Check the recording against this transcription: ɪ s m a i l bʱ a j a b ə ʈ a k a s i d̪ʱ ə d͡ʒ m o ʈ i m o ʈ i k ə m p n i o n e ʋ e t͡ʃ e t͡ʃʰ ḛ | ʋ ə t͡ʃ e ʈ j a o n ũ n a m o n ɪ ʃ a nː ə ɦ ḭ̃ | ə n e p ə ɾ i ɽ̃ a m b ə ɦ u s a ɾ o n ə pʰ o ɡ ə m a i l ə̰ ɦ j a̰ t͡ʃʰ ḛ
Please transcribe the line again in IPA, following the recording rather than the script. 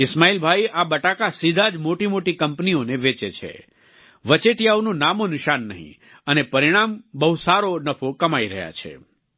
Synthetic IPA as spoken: ɪ s m a i l bʱ a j a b ə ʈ a k a s i d̪ʱ a d͡ʒ m o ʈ i m o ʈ i k ə m p n i o n e ʋ e t͡ʃ e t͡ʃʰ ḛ | ʋ ə t͡ʃ e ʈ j a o n ũ n a m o n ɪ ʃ a nː ə ɦ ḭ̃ | ə n e p ə ɾ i ɽ̃ a m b ə ɦ u s a ɾ o n ə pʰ o k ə m a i ɾ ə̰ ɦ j a̰ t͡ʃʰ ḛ